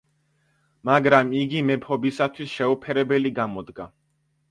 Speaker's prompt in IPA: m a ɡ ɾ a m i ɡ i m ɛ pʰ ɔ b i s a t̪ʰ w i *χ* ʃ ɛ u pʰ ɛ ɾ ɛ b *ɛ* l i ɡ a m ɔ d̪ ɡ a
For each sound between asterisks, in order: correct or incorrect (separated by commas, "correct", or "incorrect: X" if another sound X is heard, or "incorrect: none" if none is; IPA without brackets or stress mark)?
incorrect: s, correct